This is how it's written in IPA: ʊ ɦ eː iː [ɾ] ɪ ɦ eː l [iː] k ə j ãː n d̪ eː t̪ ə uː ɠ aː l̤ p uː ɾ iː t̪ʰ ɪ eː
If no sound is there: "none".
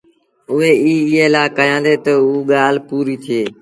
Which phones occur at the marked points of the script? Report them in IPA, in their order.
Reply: none, aː

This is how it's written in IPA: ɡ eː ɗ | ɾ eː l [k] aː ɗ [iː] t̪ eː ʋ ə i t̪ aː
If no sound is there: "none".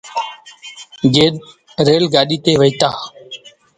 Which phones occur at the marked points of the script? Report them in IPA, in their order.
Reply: ɡ, iː

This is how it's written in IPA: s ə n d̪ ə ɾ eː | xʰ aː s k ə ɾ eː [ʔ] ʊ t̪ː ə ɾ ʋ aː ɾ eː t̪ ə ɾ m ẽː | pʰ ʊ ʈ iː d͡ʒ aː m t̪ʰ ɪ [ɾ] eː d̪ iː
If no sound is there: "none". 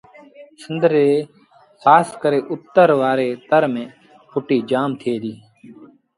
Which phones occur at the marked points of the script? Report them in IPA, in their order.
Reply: ʔ, none

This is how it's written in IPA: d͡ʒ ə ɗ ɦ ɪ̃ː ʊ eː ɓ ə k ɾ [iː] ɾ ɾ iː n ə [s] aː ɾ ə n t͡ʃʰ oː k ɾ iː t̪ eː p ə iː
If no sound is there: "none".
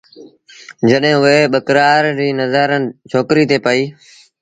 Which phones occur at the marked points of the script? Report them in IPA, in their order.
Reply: aː, z

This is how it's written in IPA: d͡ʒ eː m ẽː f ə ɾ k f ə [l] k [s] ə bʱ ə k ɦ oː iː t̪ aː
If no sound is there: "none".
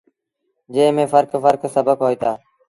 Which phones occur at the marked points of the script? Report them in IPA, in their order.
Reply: ɾ, s

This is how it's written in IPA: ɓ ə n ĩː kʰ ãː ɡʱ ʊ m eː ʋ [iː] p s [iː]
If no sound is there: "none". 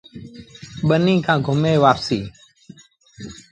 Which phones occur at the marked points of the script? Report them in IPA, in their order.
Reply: aː, iː

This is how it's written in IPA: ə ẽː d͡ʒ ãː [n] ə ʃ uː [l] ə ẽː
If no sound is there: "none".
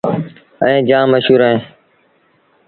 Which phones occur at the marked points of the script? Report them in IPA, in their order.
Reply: m, ɾ

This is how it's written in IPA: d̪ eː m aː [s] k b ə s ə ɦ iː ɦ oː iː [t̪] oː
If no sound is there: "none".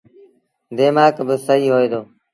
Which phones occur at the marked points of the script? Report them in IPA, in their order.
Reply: none, d̪

